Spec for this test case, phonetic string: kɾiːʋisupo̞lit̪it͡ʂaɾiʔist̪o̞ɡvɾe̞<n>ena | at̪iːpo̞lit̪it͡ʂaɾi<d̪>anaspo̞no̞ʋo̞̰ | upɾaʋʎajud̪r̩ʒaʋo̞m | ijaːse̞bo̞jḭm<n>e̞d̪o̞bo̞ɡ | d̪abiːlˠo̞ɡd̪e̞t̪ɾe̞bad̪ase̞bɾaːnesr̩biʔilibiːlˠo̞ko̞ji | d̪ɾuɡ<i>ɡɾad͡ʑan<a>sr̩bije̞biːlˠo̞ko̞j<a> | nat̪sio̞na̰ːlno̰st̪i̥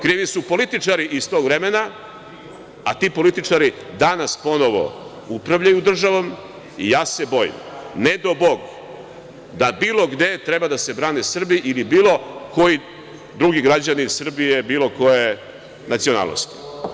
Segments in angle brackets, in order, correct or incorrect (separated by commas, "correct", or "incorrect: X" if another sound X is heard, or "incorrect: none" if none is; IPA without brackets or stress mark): incorrect: m, correct, correct, correct, incorrect: i, incorrect: e